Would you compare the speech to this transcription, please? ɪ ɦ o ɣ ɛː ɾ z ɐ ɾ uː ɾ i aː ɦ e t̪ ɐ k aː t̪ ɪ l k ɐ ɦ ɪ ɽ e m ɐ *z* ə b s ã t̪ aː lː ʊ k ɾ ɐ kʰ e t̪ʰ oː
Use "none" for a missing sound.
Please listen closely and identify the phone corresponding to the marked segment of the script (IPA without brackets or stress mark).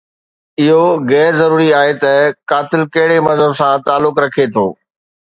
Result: z